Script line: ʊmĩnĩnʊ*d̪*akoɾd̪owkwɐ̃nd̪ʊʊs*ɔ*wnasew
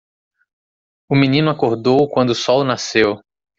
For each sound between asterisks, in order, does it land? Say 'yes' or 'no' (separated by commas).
no, yes